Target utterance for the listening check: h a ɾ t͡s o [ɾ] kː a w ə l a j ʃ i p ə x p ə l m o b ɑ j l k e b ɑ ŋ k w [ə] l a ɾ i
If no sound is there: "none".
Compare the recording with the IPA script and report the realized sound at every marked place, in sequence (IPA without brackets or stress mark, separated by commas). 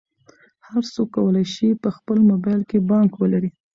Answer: none, ə